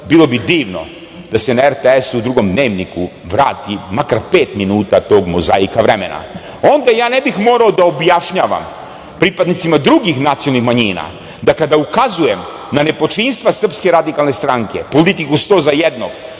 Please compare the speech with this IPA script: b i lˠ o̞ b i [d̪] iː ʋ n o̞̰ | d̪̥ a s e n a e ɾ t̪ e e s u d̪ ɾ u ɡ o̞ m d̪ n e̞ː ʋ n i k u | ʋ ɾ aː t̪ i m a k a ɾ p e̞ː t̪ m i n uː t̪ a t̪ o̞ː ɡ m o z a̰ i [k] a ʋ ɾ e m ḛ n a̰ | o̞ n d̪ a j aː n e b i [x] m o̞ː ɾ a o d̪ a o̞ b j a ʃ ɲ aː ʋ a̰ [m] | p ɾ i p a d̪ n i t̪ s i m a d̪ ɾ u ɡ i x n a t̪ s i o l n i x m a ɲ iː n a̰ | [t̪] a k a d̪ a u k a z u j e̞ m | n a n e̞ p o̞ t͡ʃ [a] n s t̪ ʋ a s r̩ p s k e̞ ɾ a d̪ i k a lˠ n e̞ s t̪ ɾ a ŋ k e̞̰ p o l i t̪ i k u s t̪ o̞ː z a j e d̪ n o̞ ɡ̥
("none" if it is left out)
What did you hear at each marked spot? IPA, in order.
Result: d̪, k, x, m, d̪, i

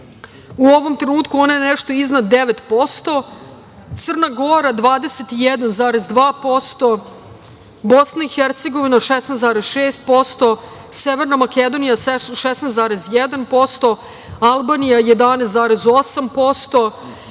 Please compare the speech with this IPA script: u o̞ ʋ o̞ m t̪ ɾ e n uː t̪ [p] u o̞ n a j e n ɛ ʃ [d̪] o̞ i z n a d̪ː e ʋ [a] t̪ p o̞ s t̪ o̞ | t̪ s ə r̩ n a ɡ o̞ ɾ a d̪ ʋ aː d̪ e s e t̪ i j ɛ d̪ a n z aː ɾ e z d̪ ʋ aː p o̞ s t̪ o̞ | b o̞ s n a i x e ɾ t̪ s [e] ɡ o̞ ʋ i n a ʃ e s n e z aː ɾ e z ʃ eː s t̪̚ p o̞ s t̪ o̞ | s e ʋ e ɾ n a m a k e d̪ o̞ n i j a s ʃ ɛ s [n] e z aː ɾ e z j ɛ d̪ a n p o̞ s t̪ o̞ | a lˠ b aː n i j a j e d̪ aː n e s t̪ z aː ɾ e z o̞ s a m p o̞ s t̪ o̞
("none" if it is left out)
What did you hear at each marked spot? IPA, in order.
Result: k, t̪, e, e, n

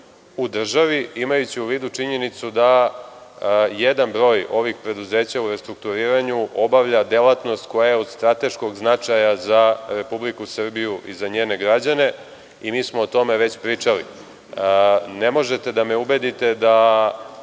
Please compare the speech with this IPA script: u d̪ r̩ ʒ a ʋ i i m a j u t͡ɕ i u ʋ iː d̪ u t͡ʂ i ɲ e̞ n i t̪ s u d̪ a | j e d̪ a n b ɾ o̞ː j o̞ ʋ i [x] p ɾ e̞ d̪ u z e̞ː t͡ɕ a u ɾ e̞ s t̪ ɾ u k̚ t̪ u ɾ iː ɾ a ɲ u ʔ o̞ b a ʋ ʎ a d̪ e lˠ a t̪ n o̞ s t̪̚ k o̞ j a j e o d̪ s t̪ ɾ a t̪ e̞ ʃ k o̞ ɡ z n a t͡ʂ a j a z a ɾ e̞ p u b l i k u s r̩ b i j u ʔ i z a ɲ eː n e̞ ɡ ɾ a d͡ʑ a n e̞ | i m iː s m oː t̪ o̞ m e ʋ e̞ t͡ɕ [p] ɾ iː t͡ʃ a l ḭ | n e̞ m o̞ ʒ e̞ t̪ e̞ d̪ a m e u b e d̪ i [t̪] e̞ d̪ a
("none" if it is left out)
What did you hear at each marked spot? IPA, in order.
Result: x, p, t̪

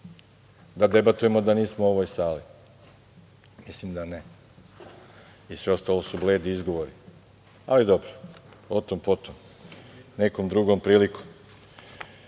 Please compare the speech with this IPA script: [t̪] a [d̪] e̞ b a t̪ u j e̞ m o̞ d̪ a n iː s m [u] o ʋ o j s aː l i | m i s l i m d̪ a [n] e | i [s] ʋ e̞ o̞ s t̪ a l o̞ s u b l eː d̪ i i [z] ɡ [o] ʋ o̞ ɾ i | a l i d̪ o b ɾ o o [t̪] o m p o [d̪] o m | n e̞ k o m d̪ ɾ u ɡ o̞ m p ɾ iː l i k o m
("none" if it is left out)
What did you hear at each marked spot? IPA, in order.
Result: d̪, d̪, o, n, s, z, o, t̪, t̪

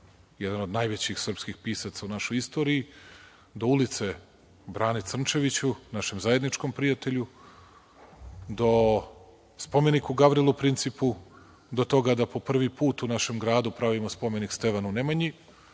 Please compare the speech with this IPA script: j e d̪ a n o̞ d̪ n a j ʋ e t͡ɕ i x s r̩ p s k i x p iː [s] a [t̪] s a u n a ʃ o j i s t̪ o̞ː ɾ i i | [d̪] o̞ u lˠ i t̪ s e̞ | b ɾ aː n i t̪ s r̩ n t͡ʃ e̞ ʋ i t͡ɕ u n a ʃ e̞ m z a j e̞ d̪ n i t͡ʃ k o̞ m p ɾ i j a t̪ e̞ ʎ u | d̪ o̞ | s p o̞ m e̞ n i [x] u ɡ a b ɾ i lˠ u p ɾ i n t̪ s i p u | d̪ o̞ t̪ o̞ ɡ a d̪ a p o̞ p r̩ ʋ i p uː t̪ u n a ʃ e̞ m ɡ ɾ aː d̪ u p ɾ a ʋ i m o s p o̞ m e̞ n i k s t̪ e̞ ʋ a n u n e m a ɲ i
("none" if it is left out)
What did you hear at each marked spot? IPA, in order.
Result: s, t̪, d̪, k

